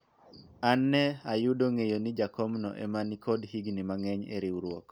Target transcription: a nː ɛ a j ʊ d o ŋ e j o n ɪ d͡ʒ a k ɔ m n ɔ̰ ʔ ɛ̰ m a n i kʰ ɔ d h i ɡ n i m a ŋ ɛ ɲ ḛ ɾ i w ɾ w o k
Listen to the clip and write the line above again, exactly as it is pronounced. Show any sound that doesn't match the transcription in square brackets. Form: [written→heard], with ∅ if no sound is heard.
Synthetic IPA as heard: a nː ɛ a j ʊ d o ŋ e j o n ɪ d͡ʒ a k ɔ m n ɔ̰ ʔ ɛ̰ m a n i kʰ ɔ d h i ɡ n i m a ŋ ɛ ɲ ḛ ɾ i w ɾ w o k